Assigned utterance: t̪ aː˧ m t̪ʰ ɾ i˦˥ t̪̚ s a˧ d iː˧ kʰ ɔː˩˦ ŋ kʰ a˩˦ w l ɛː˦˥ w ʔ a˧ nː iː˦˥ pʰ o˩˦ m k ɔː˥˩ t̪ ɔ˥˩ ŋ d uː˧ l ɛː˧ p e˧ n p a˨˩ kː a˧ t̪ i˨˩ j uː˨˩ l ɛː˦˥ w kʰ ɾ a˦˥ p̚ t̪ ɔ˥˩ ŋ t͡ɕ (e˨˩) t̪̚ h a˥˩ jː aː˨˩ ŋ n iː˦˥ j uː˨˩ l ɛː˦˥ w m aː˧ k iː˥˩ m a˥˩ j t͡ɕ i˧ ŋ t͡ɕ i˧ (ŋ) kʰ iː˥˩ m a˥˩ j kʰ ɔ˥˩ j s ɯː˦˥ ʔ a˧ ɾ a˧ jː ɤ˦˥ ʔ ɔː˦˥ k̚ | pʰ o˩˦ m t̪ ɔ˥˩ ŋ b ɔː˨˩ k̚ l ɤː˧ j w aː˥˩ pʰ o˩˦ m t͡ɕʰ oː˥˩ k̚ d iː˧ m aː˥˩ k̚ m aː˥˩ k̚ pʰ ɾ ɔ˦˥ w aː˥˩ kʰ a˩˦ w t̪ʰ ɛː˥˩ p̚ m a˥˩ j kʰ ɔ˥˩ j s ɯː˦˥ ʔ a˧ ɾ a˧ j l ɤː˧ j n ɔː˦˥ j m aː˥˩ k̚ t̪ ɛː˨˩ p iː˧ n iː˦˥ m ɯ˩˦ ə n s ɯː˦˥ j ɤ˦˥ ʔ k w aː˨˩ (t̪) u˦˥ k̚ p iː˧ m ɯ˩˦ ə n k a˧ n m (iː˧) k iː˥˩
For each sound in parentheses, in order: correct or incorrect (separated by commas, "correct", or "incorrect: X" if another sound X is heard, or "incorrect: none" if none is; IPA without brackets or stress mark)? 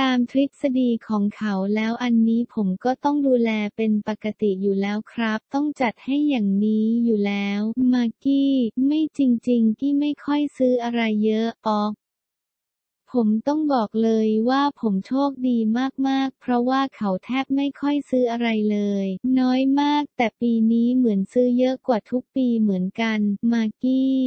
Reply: incorrect: a˨˩, correct, incorrect: t̪ʰ, incorrect: aː˧